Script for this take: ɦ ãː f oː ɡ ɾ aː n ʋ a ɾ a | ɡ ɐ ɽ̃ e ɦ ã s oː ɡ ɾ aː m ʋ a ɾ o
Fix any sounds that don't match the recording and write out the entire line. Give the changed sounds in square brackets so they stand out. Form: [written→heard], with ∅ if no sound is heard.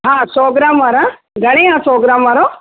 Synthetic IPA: ɦ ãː [f→s] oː ɡ ɾ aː [n→m] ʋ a ɾ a | ɡ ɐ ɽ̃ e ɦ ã s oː ɡ ɾ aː m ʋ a ɾ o